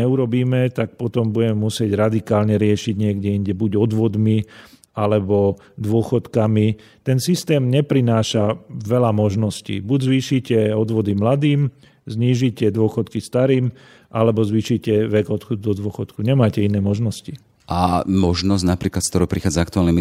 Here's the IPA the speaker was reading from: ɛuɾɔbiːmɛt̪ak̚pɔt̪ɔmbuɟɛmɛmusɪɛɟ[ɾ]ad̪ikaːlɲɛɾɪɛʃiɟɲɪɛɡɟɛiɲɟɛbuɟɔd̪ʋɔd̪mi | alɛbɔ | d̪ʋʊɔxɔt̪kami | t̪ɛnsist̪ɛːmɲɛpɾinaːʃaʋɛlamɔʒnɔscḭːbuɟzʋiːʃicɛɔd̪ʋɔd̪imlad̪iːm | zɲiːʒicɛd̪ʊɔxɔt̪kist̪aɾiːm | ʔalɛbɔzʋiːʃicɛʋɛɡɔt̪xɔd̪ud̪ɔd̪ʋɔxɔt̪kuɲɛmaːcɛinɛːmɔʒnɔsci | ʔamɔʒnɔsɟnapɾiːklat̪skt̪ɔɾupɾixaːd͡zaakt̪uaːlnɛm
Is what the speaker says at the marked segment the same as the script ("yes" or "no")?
yes